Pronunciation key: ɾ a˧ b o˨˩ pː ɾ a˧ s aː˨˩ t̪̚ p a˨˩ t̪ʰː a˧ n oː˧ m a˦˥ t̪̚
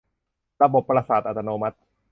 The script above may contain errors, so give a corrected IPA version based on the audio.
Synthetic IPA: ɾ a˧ b o˨˩ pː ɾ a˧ s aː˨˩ t̪̚ ʔ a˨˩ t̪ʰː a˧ n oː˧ m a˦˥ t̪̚